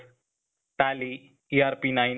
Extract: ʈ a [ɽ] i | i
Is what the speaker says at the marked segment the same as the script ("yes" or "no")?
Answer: no